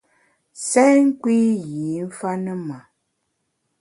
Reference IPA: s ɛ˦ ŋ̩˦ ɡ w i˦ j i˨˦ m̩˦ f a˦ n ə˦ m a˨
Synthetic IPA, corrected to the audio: s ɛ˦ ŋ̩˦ k w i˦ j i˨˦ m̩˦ f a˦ n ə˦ m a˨